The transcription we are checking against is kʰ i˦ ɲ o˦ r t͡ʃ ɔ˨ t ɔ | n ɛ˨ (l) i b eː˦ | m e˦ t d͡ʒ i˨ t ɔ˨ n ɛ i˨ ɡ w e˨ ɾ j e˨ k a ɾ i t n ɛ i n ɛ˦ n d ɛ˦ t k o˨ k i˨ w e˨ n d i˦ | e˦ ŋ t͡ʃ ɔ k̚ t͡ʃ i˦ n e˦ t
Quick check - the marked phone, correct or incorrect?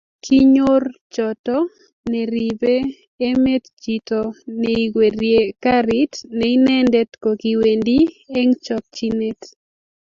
incorrect